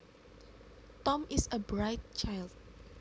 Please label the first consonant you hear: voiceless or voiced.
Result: voiceless